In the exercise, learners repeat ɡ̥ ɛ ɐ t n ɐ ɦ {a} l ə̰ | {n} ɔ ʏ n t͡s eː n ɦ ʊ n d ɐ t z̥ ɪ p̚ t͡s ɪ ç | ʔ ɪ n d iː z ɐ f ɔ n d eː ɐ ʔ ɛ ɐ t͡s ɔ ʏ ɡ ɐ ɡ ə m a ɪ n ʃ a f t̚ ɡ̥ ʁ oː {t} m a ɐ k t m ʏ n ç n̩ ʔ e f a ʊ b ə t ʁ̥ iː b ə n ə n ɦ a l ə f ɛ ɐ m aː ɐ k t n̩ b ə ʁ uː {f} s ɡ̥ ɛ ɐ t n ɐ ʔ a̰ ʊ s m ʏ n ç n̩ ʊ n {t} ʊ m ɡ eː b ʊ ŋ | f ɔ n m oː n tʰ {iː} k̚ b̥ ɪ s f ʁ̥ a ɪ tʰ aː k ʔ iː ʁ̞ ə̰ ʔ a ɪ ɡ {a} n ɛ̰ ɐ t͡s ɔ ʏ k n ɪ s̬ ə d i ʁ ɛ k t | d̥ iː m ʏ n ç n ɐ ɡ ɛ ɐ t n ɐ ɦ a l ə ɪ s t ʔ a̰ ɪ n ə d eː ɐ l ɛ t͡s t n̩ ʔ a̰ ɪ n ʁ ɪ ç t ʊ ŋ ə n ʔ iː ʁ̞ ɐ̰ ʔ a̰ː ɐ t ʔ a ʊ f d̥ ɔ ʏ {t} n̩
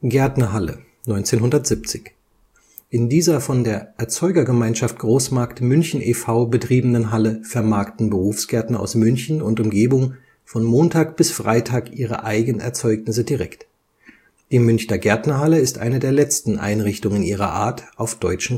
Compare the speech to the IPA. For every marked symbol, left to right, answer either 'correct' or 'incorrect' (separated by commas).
correct, correct, incorrect, correct, correct, incorrect, incorrect, incorrect